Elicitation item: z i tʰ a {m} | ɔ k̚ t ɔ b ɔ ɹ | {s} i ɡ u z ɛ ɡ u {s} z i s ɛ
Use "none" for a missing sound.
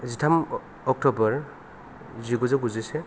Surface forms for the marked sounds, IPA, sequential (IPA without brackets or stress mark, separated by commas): m, z, none